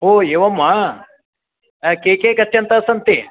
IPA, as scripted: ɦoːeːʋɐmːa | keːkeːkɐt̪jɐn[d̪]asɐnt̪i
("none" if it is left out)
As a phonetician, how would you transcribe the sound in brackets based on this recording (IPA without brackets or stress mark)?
t̪